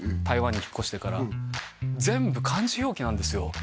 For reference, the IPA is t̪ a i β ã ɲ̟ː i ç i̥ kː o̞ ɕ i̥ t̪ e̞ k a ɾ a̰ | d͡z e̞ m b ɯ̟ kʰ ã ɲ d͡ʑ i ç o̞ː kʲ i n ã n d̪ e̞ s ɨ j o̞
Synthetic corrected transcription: t̪ a i β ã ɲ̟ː i ç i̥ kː o̞ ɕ i̥ t̪ e̞ k a ɾ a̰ | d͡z ẽ̞ m b ɯ̟ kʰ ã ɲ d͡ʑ i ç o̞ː kʲ i n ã n d̪ e̞ s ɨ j o̞

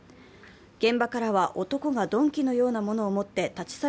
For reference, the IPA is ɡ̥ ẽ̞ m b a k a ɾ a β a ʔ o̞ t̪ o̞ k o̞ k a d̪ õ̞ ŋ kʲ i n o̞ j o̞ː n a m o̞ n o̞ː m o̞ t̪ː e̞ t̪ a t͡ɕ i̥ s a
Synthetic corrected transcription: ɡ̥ ẽ̞ m b a k a ɾ a β a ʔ o̞ t̪ o̞ k o̞ ɡ a d̪ õ̞ ŋ kʲ i n o̞ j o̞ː n a m o̞ n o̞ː m o̞ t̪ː e̞ t̪ a t͡ɕ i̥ s a

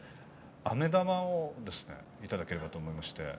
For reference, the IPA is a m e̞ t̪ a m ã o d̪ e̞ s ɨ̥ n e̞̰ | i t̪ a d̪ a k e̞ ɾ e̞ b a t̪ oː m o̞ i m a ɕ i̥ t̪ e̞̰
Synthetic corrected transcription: a m e̞ d̪ a m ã o d̪ e̞ s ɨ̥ n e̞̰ | i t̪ a d̪ a k e̞ ɾ e̞ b a t̪ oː m o̞ i m a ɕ i̥ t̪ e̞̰

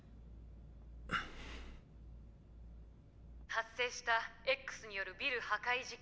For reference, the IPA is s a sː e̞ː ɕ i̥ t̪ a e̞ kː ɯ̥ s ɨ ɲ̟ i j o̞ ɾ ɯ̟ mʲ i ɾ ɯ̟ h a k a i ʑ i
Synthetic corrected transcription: h a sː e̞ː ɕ i̥ t̪ a e̞ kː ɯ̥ s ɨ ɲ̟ i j o̞ ɾ ɯ̟ bʲ i ɾ ɯ̟ h a k a i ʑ i

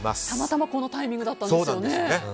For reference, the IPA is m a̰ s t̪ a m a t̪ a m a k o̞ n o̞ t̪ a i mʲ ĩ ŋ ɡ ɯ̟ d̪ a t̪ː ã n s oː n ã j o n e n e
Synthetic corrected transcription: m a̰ s t̪ a m a t̪ a m a k o̞ n o̞ t̪ a i mʲ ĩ ŋ ɡ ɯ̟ d̪ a t̪ː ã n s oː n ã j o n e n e

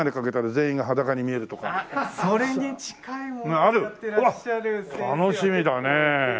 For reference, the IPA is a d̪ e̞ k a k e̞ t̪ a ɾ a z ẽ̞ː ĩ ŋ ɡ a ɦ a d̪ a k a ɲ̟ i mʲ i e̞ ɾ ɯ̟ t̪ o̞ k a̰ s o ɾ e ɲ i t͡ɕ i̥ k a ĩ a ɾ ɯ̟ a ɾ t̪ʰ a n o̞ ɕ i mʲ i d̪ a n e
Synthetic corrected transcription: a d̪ e̞ k a k e̞ t̪ a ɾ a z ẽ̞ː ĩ ŋ ɡ a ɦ a d̪ a k a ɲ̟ i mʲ i e̞ ɾ ɯ̟ t̪ o̞ k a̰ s o ɾ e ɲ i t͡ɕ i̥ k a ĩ a ɾ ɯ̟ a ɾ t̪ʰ a n o̞ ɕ i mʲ i d̪ a n e

